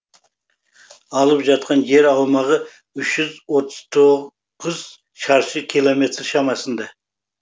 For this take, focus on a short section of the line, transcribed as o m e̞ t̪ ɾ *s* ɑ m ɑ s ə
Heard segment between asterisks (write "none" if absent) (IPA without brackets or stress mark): ʃ